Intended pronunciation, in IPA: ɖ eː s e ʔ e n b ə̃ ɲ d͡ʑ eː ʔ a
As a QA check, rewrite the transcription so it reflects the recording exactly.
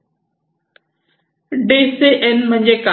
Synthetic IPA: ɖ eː s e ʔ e n m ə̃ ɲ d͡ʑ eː k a